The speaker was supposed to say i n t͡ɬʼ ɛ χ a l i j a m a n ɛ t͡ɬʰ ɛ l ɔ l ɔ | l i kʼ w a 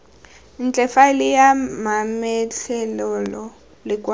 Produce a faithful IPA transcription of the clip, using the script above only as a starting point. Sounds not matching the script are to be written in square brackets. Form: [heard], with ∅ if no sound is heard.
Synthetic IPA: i n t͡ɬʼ ɛ [f] a l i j a m a [m] ɛ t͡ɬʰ ɛ l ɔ l ɔ | l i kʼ w a